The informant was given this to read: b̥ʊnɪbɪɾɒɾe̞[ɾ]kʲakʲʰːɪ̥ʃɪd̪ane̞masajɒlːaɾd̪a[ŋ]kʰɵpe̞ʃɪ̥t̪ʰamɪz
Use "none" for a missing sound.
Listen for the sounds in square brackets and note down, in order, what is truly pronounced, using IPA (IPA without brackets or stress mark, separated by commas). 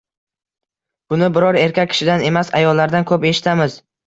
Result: ɾ, n